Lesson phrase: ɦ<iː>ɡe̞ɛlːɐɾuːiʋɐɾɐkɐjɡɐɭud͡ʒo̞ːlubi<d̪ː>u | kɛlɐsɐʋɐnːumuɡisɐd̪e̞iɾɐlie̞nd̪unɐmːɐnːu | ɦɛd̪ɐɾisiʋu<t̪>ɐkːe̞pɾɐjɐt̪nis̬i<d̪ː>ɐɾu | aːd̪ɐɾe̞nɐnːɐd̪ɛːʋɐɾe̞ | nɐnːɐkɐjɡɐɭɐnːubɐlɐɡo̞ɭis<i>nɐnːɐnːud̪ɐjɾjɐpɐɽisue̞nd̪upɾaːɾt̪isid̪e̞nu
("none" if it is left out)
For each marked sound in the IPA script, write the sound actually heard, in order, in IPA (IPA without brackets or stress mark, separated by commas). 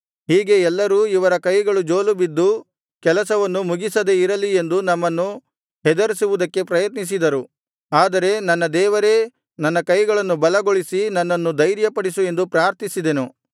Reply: iː, d̪ː, d̪, d̪, i